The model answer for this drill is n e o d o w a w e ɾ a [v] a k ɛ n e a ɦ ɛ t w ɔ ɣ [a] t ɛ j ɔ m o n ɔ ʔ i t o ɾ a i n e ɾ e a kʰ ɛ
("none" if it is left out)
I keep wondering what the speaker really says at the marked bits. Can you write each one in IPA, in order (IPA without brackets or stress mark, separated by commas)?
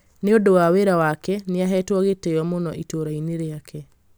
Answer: w, e